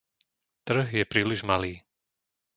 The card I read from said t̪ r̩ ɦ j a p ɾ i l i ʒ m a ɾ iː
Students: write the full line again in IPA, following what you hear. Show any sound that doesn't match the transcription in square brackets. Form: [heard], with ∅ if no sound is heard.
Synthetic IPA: t̪ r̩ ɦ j [ɛ] p ɾ [iː] l i ʒ m a [l] iː